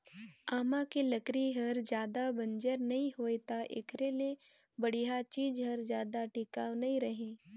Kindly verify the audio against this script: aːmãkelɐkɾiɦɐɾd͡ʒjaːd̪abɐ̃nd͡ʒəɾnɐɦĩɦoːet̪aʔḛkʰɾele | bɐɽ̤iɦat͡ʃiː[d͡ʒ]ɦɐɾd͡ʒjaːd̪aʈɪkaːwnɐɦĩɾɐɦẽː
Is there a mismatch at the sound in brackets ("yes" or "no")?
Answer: no